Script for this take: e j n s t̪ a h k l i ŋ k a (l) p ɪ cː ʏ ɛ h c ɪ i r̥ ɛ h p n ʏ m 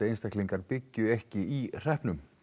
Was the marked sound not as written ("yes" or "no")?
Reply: yes